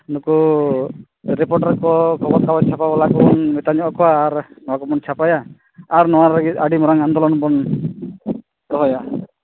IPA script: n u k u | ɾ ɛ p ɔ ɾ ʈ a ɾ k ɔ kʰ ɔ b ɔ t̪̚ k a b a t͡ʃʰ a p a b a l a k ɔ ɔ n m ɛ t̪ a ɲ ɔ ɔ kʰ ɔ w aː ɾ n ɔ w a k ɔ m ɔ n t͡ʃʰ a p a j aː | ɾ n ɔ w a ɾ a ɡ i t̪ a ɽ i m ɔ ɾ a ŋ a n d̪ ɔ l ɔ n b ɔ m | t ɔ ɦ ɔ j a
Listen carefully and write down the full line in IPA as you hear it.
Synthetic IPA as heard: n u k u | ɾ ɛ p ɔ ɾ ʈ a ɾ k ɔ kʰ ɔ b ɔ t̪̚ k a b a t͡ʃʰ a p a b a l a k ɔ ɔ n m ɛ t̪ a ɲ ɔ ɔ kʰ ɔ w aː ɾ n ɔ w a k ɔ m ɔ n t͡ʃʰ a p a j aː | ɾ n ɔ w a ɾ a ɡ i t̪ a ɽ i m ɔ ɾ a ŋ a n d̪ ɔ l ɔ n b ɔ n | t ɔ ɦ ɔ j a